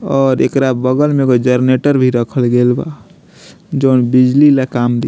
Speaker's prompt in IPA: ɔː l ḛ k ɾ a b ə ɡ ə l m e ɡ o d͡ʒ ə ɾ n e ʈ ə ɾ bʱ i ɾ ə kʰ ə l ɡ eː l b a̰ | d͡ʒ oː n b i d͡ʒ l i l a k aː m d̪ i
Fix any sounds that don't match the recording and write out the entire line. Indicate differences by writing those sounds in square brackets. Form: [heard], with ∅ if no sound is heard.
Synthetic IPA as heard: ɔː [ɾ] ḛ k ɾ a b ə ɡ ə l m e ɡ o d͡ʒ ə ɾ n e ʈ ə ɾ bʱ i ɾ ə kʰ ə l ɡ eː l b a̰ | d͡ʒ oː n b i d͡ʒ l i l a k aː m d̪ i